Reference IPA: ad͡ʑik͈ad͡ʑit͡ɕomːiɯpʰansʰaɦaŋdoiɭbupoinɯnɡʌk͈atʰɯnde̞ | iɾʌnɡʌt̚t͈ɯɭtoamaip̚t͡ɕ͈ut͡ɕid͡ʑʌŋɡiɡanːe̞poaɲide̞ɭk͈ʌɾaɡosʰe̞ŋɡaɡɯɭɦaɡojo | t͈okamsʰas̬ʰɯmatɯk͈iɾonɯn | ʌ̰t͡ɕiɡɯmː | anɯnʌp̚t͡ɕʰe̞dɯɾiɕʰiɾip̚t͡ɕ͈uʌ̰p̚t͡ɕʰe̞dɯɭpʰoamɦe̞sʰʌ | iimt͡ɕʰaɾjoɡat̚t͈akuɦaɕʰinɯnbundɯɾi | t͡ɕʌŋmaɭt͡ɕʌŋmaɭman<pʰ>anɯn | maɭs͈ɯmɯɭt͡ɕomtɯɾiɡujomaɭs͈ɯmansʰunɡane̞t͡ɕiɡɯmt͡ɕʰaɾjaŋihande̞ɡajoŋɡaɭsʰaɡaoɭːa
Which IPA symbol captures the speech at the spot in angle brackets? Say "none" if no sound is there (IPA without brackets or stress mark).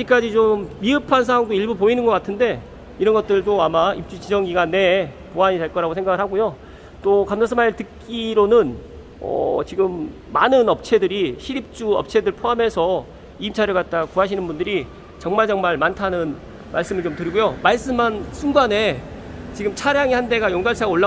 tʰ